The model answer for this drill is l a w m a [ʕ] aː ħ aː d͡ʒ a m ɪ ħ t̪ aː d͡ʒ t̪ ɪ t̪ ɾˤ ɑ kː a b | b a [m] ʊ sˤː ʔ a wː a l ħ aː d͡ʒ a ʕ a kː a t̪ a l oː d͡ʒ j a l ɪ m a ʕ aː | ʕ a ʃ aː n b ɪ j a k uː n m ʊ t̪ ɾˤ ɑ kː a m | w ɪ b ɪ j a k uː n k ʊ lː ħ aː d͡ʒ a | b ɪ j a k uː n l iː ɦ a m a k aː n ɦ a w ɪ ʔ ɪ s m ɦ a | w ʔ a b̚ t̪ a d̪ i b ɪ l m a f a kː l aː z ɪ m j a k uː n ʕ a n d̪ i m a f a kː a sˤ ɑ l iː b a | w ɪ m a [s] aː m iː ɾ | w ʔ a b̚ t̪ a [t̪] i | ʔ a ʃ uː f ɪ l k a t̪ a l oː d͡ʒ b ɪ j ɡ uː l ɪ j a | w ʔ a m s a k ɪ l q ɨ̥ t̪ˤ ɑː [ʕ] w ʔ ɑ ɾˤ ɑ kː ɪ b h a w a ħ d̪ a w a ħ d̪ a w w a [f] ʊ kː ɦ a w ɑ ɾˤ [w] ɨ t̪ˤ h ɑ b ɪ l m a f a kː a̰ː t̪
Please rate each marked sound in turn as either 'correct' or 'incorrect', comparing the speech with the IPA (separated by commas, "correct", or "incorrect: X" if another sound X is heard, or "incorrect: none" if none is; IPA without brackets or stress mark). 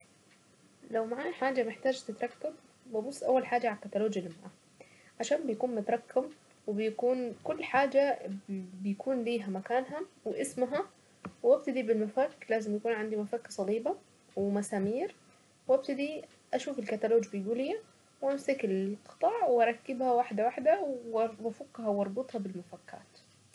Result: correct, incorrect: b, correct, incorrect: d̪, correct, correct, incorrect: b